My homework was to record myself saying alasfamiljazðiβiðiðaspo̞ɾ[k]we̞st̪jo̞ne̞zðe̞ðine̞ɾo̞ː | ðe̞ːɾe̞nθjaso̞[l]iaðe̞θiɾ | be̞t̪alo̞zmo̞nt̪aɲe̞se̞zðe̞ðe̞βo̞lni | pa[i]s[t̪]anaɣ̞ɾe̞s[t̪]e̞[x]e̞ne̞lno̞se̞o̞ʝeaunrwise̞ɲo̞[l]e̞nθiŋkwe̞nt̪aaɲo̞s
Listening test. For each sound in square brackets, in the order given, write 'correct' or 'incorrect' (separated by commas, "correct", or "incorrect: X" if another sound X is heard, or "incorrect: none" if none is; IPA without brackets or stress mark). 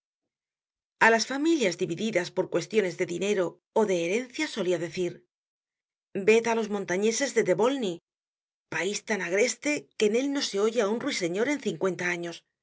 correct, correct, correct, correct, correct, incorrect: k, incorrect: ɾ